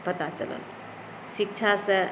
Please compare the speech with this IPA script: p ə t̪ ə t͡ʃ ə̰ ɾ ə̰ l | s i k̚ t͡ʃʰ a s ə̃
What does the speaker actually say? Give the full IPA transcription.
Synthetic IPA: p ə t̪ a t͡ʃ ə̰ l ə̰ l | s i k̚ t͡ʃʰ a s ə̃